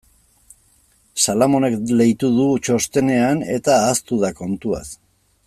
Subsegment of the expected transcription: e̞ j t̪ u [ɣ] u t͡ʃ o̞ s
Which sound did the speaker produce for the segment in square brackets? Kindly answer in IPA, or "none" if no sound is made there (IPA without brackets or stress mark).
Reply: ð